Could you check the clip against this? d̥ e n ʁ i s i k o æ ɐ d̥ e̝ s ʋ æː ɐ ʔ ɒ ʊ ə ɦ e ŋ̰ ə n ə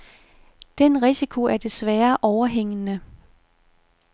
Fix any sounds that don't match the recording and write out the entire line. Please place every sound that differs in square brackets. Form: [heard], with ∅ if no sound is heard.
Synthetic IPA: d̥ e n ʁ i s i [kʰ] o æ ɐ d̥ e̝ s ʋ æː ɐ ʔ ɒ ʊ [ɐ] ɦ e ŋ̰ ə n ə

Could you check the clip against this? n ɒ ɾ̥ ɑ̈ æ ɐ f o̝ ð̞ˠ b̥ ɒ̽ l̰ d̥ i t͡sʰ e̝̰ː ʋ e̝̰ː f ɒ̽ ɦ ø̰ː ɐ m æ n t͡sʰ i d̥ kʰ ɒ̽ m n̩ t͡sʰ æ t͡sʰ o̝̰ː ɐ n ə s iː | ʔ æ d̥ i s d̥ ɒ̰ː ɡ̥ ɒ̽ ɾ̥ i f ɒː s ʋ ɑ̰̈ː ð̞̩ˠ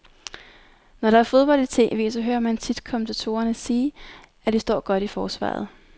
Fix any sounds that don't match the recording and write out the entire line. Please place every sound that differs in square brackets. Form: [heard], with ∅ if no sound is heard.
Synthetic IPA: n ɒ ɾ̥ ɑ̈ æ ɐ f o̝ ð̞ˠ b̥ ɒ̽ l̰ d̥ i t͡sʰ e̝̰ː ʋ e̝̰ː [s] ɒ̽ ɦ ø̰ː ɐ m æ n t͡sʰ i d̥ kʰ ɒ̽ m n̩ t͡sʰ æ t͡sʰ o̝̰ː ɐ n ə s iː | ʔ æ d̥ i s d̥ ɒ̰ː ɡ̥ ɒ̽ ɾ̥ i f ɒː s ʋ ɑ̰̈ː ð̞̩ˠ

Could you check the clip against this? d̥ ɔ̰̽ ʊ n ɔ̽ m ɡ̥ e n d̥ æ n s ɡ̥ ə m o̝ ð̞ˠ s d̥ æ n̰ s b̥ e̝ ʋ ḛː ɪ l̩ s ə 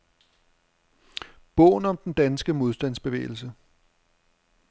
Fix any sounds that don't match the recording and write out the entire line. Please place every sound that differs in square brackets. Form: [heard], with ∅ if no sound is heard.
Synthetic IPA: [b̥] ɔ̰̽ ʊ n [ɒ̽] m [d̥] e n d̥ æ n s ɡ̥ ə m o̝ ð̞ˠ s d̥ æ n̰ s b̥ e̝ ʋ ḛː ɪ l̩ s ə

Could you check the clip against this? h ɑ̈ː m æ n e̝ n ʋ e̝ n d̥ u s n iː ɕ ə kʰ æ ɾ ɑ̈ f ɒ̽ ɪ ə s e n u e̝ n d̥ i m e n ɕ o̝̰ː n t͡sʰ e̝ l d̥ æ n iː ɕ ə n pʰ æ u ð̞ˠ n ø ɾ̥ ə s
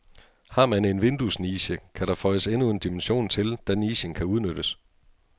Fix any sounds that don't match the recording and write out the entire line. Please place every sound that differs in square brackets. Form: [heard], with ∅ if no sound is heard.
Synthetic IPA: h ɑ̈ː m æ n e̝ n ʋ e̝ n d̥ u s n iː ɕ ə kʰ æ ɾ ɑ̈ f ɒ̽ ɪ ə s e n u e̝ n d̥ i m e n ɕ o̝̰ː n t͡sʰ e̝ l d̥ æ n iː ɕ ə n [kʰ] æ u ð̞ˠ n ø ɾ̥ ə s

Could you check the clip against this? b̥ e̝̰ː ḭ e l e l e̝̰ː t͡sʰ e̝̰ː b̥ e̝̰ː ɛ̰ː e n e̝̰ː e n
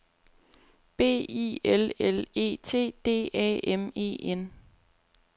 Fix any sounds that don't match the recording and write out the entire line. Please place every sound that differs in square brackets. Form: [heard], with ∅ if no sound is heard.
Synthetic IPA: b̥ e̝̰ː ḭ e l e l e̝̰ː t͡sʰ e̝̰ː [d̥] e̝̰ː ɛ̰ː e [m] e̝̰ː e n

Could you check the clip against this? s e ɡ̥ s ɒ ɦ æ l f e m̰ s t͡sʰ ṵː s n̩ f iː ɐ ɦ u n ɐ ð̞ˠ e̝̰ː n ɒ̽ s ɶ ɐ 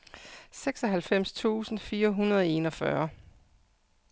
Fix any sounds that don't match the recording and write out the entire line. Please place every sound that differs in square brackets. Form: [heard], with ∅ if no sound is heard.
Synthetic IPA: s e ɡ̥ s ɒ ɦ æ l f e m̰ s t͡sʰ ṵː s n̩ f iː ɐ ɦ u n ɐ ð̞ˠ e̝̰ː n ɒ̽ [f] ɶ ɐ

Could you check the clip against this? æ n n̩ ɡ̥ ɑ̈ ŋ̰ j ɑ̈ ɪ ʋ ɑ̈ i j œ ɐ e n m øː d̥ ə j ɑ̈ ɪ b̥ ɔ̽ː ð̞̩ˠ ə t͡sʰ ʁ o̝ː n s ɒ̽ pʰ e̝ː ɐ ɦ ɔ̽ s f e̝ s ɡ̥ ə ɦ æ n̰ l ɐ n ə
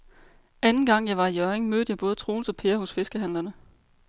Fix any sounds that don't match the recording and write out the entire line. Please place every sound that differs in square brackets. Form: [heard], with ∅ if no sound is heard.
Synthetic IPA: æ n n̩ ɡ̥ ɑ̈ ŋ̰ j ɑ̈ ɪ ʋ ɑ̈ i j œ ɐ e [ŋ] m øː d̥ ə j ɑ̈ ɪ b̥ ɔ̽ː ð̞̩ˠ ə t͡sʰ ʁ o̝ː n s ɒ̽ pʰ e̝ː ɐ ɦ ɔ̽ s f e̝ s ɡ̥ ə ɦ æ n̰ l ɐ n ə

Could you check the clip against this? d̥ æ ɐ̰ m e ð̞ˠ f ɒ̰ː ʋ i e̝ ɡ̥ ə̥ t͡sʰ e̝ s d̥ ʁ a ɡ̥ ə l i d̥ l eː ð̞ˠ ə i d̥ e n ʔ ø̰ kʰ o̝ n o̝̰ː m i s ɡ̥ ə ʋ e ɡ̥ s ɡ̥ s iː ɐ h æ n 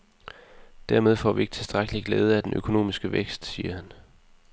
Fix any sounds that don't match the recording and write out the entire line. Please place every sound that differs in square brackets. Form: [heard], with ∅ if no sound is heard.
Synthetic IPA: d̥ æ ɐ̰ m e ð̞ˠ f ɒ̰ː ʋ i e̝ ɡ̥ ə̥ t͡sʰ e̝ s d̥ ʁ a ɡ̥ ə l i [ɡ̥] l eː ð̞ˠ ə [æ] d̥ e n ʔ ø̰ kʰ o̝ n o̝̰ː m i s ɡ̥ ə ʋ e ɡ̥ s [d̥] s iː ɐ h æ n

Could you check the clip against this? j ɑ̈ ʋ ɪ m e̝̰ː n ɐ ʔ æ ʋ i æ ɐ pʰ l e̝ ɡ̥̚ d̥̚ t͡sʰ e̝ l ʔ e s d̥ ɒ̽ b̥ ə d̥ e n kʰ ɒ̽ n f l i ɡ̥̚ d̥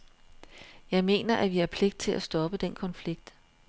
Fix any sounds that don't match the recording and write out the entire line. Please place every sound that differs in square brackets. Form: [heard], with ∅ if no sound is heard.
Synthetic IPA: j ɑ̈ [∅] ɪ m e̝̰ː n ɐ ʔ æ ʋ i æ ɐ pʰ l e̝ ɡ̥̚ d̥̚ t͡sʰ e̝ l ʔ [æ] s d̥ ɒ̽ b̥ ə d̥ e n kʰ ɒ̽ n f l i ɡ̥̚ d̥

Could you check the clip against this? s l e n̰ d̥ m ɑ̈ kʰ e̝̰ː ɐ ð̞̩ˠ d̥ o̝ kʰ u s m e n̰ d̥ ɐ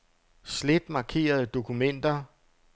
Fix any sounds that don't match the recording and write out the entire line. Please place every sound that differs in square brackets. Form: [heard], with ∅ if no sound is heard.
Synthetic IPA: s l e [∅] d̥ m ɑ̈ kʰ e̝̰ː ɐ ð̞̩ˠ d̥ o̝ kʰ u [∅] m e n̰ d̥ ɐ

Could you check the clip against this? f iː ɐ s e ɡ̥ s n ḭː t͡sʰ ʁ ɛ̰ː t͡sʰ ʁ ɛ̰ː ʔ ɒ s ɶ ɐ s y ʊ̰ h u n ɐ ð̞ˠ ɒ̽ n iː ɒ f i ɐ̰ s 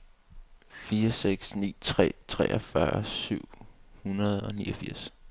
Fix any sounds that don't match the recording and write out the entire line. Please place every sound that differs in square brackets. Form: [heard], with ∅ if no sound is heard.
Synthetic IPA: f iː ɐ s e ɡ̥ s n ḭː t͡sʰ ʁ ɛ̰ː t͡sʰ ʁ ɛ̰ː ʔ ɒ [f] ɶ ɐ s y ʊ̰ h u n ɐ ð̞ˠ ɒ̽ n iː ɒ f i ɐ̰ s

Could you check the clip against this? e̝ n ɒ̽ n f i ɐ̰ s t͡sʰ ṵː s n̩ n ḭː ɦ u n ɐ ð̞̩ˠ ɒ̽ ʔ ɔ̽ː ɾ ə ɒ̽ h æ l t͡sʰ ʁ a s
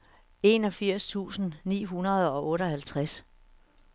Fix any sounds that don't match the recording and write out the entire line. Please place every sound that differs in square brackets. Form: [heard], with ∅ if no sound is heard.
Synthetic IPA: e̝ n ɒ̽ [∅] f i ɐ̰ s t͡sʰ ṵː s n̩ n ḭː ɦ u n ɐ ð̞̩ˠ ɒ̽ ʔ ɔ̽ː ɾ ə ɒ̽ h æ l t͡sʰ ʁ a s

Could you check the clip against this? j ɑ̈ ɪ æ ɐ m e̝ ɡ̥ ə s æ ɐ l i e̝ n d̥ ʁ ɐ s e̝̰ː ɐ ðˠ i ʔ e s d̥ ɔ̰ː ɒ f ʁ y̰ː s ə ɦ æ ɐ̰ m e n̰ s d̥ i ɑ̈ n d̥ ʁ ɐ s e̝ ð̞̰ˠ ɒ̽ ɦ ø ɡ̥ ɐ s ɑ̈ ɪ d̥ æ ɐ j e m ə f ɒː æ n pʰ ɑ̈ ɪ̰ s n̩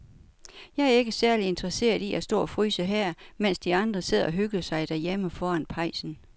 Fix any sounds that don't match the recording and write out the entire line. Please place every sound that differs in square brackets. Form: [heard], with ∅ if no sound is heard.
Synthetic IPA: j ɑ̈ ɪ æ ɐ [∅] e̝ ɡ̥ ə s æ ɐ l i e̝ n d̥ ʁ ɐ s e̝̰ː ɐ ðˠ i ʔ [æ] s d̥ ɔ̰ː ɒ f ʁ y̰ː s ə ɦ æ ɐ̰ m e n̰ s d̥ i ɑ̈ n d̥ ʁ ɐ s e̝ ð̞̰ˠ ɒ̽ ɦ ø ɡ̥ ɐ s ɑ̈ ɪ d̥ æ ɐ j e m ə f ɒː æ n pʰ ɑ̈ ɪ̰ s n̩

